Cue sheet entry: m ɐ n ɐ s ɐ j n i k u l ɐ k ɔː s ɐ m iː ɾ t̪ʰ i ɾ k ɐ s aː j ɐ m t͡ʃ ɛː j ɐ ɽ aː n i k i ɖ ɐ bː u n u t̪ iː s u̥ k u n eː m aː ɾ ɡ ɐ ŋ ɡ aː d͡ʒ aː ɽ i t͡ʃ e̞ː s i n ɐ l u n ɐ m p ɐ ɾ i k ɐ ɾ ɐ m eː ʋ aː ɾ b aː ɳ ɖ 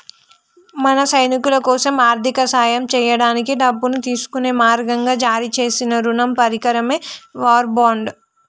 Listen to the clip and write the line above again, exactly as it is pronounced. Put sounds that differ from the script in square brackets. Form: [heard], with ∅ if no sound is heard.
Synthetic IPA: m ɐ n ɐ s ɐ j n i k u l ɐ k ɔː s ɐ m [aː] ɾ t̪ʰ i [∅] k ɐ s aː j ɐ m t͡ʃ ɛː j ɐ ɽ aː n i k i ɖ ɐ bː u n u t̪ iː s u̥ k u n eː m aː ɾ ɡ ɐ ŋ ɡ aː d͡ʒ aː [ɾ] i t͡ʃ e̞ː s i n ɐ [ɾ] u n ɐ m p ɐ ɾ i k ɐ ɾ ɐ m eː ʋ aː ɾ b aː ɳ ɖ

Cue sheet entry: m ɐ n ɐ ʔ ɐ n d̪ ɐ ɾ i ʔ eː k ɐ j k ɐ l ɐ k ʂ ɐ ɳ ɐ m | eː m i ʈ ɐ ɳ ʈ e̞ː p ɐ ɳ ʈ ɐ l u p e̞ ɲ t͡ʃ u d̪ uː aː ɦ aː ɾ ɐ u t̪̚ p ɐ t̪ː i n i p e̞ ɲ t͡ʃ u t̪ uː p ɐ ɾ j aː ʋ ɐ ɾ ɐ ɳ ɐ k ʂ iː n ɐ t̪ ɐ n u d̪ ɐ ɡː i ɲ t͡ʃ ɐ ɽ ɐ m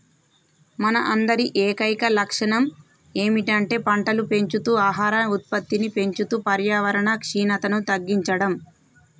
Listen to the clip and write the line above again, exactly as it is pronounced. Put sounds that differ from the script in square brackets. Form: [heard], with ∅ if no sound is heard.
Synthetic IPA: m ɐ n ɐ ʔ ɐ n d̪ ɐ ɾ i ʔ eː k ɐ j k ɐ l ɐ k ʂ ɐ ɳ ɐ m | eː m i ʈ ɐ ɳ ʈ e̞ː p ɐ ɳ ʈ ɐ l u p e̞ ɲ t͡ʃ u [t̪] uː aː ɦ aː ɾ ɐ u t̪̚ p ɐ t̪ː i n i p e̞ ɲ t͡ʃ u t̪ uː p ɐ ɾ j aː ʋ ɐ ɾ ɐ ɳ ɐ k ʂ iː n ɐ t̪ ɐ n u [t̪] ɐ ɡː i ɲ t͡ʃ ɐ ɽ ɐ m

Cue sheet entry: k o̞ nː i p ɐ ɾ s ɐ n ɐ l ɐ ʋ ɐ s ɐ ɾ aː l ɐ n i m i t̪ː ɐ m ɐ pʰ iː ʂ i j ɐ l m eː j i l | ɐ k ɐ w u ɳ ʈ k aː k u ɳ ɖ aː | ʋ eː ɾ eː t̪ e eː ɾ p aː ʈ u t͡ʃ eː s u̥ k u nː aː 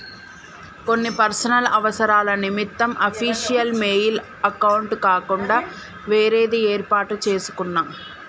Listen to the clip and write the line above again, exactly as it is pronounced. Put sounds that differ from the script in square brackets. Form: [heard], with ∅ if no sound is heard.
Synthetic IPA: k o̞ nː i p ɐ ɾ s ɐ n ɐ l ɐ ʋ ɐ s ɐ ɾ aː l ɐ n i m i t̪ː ɐ m ɐ pʰ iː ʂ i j ɐ l m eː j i l | ɐ k ɐ w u ɳ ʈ k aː k u ɳ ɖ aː | ʋ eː ɾ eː [d̪] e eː ɾ p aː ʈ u t͡ʃ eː s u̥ k u nː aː

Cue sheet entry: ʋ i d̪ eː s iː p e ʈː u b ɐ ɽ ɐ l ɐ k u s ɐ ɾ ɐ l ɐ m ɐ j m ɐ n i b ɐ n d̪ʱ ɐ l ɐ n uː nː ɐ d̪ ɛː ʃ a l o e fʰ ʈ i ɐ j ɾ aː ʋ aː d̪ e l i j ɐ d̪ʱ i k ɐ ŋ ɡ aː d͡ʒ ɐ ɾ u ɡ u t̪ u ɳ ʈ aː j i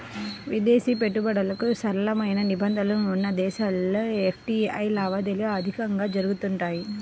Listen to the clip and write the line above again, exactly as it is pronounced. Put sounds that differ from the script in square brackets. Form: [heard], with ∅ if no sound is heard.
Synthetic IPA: ʋ i d̪ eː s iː p e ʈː u b ɐ ɽ ɐ l ɐ k u s ɐ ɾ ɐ l ɐ m ɐ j [n] ɐ n i b ɐ n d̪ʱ ɐ l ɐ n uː nː ɐ d̪ ɛː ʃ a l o e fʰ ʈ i ɐ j [l] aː ʋ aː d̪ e l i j ɐ d̪ʱ i k ɐ ŋ ɡ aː d͡ʒ ɐ ɾ u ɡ u t̪ u ɳ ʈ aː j i

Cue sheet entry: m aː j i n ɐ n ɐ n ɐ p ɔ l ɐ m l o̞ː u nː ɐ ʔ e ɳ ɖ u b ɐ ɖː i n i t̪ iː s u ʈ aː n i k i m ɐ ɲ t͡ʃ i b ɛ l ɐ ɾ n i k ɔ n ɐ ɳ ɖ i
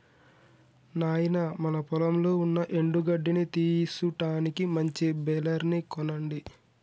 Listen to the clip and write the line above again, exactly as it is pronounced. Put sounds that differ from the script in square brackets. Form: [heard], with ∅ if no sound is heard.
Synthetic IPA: [n] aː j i n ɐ [m] ɐ n ɐ p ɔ l ɐ m l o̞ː u nː ɐ ʔ e ɳ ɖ u [ɡ] ɐ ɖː i n i t̪ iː s u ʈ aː n i k i m ɐ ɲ t͡ʃ i b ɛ l ɐ ɾ n i k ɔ n ɐ ɳ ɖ i

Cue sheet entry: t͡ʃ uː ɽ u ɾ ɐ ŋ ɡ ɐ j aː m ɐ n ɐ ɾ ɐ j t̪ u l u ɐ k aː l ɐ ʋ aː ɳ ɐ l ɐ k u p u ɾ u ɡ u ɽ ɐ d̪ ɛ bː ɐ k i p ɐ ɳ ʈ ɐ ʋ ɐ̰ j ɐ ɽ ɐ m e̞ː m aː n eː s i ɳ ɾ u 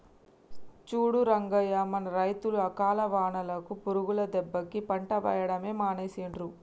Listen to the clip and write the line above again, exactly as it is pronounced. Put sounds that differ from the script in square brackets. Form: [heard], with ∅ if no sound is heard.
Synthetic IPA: t͡ʃ uː ɽ u ɾ ɐ ŋ ɡ ɐ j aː m ɐ n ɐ ɾ ɐ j t̪ u l u ɐ k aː l ɐ ʋ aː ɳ ɐ l ɐ k u p u ɾ u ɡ u [l] ɐ d̪ ɛ bː ɐ k i p ɐ ɳ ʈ ɐ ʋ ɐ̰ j ɐ ɽ ɐ m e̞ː m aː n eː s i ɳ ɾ u

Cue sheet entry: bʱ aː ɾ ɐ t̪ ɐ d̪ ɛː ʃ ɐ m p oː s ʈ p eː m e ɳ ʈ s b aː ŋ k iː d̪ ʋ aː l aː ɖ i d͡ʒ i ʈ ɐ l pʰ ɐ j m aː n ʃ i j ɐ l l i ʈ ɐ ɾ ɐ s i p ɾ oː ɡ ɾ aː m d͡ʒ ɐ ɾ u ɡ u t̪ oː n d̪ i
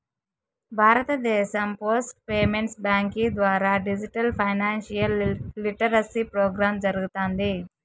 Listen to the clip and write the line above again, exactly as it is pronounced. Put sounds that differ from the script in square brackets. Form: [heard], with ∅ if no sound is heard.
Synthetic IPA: bʱ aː ɾ ɐ t̪ ɐ d̪ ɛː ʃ ɐ m p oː s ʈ p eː m e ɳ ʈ s b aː ŋ k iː d̪ ʋ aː [ɾ] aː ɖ i d͡ʒ i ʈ ɐ l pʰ ɐ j [n] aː n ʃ i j ɐ l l i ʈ ɐ ɾ ɐ s i p ɾ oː ɡ ɾ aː m d͡ʒ ɐ ɾ u ɡ u t̪ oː n d̪ i

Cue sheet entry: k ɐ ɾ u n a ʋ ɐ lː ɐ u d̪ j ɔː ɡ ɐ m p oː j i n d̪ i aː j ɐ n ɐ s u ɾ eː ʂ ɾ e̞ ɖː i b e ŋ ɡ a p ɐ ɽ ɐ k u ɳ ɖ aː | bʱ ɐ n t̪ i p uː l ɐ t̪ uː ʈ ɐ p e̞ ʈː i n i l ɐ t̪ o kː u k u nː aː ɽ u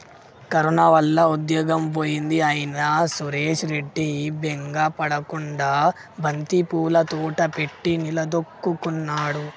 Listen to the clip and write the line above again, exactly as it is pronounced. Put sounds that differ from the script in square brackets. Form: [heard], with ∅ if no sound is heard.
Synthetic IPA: k ɐ ɾ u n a ʋ ɐ lː ɐ u d̪ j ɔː ɡ ɐ m p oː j i n d̪ i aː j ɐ n ɐ s u ɾ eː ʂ ɾ e̞ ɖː i b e ŋ ɡ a p ɐ ɽ ɐ k u ɳ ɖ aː | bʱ ɐ n t̪ i p uː l ɐ t̪ uː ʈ ɐ p e̞ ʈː i n i l ɐ [d̪] o kː u k u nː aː ɽ u

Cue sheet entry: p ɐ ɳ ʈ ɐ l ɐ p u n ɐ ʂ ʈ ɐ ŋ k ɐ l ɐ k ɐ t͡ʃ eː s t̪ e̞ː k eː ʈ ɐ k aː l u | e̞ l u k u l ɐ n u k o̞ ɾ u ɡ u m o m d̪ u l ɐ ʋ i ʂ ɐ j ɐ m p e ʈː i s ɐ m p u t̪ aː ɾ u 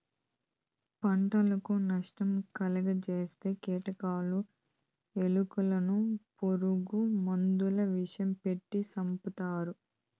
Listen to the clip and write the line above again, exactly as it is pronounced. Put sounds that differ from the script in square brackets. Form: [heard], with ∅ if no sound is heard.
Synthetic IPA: p ɐ ɳ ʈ ɐ l ɐ [k] u n ɐ ʂ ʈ ɐ [m] k ɐ l ɐ [ɡ] ɐ t͡ʃ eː s t̪ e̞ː k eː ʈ ɐ k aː l u | e̞ l u k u l ɐ n u [p] o̞ ɾ u ɡ u m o [n] d̪ u l ɐ ʋ i ʂ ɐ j ɐ m p e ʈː i s ɐ m p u t̪ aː ɾ u

